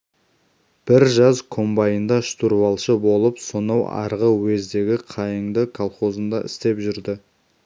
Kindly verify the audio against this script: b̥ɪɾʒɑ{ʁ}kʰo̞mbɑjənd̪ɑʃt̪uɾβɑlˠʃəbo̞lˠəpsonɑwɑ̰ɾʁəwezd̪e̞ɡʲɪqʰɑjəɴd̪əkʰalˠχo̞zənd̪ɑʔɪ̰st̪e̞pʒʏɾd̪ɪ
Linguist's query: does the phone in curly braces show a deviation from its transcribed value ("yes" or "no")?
yes